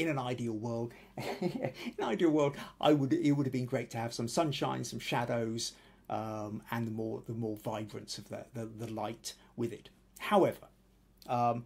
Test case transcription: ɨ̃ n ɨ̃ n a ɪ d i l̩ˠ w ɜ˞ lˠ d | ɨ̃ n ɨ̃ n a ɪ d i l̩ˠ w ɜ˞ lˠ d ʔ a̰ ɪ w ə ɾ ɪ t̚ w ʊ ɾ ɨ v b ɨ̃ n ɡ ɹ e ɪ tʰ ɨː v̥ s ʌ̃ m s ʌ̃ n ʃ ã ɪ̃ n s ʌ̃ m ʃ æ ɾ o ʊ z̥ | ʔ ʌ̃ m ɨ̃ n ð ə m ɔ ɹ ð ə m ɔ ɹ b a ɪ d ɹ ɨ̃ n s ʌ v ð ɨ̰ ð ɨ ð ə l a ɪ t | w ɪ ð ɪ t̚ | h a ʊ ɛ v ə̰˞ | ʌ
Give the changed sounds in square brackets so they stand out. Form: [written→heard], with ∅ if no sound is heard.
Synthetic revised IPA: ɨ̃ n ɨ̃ n a ɪ d i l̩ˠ w ɜ˞ lˠ d | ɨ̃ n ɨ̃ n a ɪ d i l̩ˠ w ɜ˞ lˠ d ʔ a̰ ɪ w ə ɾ ɪ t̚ w ʊ ɾ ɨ v b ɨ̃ n ɡ ɹ e ɪ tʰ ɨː v̥ s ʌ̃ m s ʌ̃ n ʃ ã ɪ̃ n s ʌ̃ m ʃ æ ɾ o ʊ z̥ | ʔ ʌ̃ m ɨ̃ n ð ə m ɔ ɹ ð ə m ɔ ɹ [b→v] a ɪ [d→b] ɹ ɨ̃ n s ʌ v ð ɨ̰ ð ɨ ð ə l a ɪ t | w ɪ ð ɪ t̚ | h a ʊ ɛ v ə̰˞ | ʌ